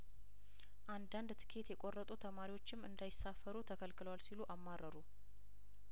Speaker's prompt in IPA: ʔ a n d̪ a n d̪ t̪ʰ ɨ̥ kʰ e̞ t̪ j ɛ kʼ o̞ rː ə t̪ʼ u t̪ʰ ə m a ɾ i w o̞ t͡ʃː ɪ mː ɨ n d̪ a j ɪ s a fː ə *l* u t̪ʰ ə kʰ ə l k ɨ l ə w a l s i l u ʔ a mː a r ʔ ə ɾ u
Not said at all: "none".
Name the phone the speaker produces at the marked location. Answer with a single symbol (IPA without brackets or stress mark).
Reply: ɾ